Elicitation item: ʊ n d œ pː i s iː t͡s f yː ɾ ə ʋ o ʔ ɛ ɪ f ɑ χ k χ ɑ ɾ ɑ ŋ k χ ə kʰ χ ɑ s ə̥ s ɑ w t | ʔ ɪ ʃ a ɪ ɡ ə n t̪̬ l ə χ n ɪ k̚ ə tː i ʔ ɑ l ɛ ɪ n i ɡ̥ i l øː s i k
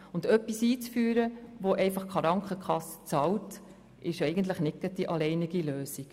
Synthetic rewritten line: ʊ n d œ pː i s iː t͡s f yː ɾ ə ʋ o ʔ ɛ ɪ f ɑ χ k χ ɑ ɾ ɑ ŋ k χ ə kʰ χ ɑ s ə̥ t͡s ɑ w t | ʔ ɪ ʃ ɛ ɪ ɡ ə n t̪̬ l ə χ n ɪ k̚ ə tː i ʔ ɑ l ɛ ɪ n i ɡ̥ i l øː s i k